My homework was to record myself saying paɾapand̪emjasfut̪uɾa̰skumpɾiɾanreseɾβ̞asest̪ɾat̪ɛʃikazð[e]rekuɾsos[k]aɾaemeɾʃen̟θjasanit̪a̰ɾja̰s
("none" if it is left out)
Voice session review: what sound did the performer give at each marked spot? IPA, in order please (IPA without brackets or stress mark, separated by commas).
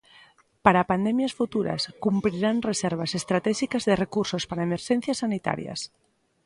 e, p